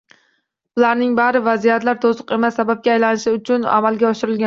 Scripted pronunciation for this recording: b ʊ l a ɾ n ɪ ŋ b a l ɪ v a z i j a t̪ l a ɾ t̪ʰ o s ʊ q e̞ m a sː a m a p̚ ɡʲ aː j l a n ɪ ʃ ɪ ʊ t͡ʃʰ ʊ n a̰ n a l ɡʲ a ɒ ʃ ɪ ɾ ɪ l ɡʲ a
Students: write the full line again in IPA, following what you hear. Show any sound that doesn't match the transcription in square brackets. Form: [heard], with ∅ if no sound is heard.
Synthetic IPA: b ʊ l a ɾ n ɪ ŋ b a [ɾ] ɪ v a z i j a t̪ l a ɾ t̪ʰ o s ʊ q e̞ m a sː a [b] a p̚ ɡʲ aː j l a n ɪ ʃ ɪ ʊ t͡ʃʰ ʊ n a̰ [m] a l ɡʲ a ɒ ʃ ɪ ɾ ɪ l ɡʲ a